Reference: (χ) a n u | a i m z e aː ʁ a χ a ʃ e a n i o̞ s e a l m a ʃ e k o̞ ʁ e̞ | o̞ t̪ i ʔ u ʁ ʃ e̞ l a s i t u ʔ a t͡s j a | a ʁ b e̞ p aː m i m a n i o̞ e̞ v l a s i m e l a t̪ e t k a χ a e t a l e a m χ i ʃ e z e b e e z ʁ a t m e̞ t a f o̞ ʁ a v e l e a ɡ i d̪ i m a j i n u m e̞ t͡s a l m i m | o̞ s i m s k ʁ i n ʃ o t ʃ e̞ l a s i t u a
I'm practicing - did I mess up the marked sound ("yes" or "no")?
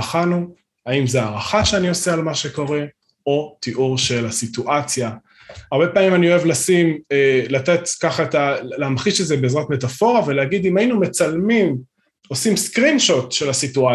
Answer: no